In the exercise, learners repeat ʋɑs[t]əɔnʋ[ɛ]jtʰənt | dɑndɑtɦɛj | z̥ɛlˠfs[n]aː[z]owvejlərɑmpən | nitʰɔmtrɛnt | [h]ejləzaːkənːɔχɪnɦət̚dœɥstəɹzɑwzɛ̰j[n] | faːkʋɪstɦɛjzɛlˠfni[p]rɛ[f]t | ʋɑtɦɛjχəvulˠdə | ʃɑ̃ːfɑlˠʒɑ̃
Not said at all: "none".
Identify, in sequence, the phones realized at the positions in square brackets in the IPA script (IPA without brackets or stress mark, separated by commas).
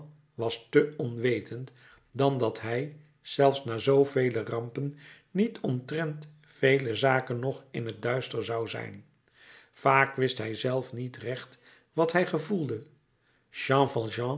t, e, n, z, f, n, t, χ